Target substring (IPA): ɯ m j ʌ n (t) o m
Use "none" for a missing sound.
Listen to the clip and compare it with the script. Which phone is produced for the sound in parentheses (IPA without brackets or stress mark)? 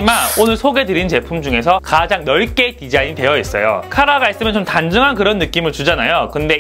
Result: t͡ɕ